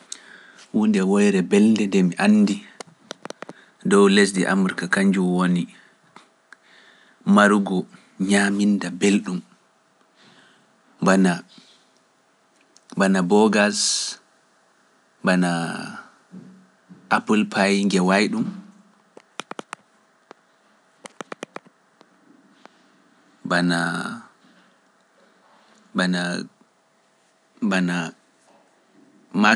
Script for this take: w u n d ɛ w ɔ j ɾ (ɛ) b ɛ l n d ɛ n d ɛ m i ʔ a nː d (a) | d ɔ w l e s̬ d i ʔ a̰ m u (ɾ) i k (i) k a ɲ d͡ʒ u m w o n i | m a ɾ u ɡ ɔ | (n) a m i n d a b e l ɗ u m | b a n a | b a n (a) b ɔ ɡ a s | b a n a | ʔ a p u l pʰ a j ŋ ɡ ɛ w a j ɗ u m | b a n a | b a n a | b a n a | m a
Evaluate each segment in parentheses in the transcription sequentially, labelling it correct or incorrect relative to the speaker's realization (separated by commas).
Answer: correct, incorrect, correct, incorrect, incorrect, correct